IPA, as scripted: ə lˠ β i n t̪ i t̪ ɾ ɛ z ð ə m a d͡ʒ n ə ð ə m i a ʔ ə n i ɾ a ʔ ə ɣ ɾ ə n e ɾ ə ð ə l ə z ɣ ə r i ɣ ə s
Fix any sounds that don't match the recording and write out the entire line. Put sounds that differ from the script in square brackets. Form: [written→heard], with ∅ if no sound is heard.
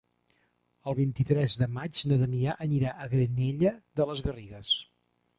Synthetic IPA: ə lˠ β i n t̪ i t̪ ɾ ɛ z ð ə m a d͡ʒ n ə ð ə m i a ʔ ə n i ɾ a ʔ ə ɣ ɾ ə n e [ɾ→ʎ] ə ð ə l ə z ɣ ə r i ɣ ə s